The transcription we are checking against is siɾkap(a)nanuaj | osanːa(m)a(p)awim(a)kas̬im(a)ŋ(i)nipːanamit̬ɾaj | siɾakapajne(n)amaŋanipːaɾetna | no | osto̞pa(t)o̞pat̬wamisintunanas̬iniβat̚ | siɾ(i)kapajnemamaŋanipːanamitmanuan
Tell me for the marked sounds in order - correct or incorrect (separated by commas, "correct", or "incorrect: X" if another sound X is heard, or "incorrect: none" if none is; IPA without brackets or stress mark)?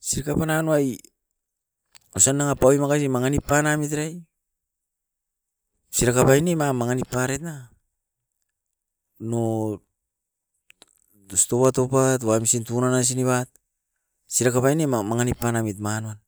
correct, incorrect: ŋ, correct, correct, correct, incorrect: a, incorrect: m, correct, incorrect: a